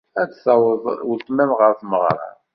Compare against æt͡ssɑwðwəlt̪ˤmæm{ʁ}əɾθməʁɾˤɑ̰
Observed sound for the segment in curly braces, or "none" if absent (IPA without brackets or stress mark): ʁ